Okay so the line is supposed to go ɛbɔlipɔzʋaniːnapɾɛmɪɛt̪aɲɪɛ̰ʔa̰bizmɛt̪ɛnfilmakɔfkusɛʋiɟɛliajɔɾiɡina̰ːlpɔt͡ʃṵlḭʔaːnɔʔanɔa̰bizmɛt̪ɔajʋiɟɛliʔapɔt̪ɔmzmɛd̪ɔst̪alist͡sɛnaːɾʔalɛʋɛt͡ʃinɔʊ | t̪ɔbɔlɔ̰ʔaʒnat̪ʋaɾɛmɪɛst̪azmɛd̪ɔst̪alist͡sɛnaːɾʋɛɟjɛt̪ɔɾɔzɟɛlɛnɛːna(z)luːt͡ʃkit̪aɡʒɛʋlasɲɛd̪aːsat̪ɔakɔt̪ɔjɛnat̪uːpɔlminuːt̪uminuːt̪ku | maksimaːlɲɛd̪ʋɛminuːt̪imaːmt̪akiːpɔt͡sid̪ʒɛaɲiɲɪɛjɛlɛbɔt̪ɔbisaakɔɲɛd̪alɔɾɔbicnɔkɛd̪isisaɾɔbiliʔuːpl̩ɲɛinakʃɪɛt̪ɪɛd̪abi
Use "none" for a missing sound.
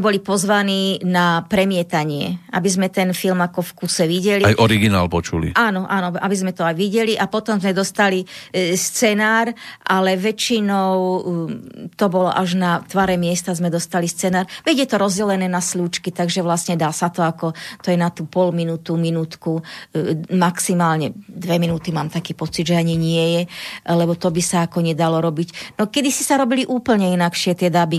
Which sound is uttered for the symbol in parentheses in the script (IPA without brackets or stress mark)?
s